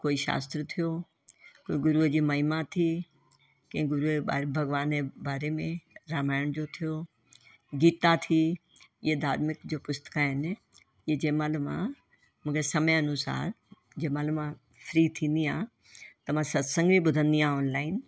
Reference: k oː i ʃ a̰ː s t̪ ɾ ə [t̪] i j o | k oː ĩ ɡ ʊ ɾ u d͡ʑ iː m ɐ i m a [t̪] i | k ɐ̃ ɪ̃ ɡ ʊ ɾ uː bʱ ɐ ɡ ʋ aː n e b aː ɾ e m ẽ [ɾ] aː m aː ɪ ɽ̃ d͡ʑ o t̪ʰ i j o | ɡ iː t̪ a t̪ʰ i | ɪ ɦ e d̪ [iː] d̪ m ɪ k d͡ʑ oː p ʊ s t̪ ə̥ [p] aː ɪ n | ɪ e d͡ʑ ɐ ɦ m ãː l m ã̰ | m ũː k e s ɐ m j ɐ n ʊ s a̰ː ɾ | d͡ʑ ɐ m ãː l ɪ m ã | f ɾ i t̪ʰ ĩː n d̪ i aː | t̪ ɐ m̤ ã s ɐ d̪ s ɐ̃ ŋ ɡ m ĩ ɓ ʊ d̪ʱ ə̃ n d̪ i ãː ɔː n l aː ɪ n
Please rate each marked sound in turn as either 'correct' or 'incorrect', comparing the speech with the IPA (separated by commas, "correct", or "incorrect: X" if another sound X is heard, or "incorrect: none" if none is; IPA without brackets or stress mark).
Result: incorrect: t̪ʰ, incorrect: t̪ʰ, correct, incorrect: aː, incorrect: k